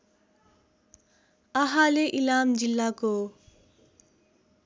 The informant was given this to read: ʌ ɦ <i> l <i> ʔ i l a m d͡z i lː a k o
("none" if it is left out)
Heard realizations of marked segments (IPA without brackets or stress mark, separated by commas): a, e